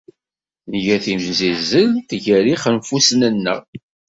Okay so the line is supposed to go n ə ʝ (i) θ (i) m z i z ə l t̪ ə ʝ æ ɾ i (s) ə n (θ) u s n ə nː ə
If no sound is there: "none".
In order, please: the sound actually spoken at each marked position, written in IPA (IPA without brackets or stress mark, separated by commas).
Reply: æ, i, χ, f